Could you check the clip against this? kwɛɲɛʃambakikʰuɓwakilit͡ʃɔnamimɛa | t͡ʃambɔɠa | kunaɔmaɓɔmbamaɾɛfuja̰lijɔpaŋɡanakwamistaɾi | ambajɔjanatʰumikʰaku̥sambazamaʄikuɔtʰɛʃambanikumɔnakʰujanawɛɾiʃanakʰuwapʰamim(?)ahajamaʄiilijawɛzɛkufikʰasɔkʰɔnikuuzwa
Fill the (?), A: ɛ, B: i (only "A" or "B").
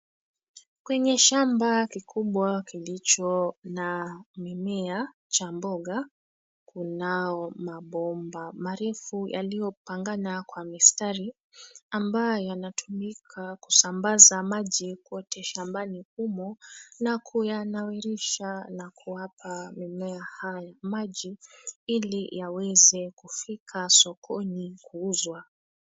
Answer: A